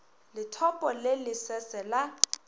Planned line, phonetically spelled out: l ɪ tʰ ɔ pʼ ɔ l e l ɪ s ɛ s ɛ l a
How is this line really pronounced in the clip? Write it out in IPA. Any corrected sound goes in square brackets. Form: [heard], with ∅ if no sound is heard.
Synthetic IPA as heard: l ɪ tʰ ɔ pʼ ɔ l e l ɪ s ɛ s ɛ l a